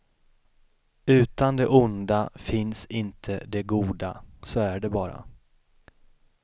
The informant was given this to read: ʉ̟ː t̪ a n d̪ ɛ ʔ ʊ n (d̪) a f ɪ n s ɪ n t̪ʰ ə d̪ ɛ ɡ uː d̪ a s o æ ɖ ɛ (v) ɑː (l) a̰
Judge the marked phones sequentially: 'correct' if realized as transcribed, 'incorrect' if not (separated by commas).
correct, incorrect, incorrect